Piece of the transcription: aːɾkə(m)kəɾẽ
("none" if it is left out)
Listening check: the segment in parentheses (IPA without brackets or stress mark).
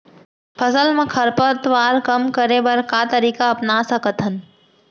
m